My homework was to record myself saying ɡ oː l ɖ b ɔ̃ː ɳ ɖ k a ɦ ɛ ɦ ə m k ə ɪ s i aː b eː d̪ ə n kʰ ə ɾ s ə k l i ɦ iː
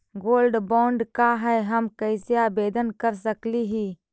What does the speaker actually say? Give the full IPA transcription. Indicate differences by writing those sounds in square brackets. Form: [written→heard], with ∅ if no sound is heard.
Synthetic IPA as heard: ɡ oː l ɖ b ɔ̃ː ɳ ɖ k a ɦ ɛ ɦ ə m k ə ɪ s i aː b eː d̪ ə n [kʰ→k] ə ɾ s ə k l i ɦ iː